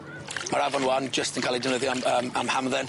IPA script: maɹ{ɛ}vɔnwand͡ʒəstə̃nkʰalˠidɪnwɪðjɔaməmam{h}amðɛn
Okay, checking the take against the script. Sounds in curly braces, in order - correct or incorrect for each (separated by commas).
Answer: incorrect, correct